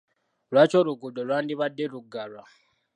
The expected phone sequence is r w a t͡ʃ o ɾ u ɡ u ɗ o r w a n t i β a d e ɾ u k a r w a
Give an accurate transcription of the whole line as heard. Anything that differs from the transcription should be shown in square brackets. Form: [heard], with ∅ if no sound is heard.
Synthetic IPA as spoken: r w a t͡ʃ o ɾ u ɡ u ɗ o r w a n [d] i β a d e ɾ u [ɡ] a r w a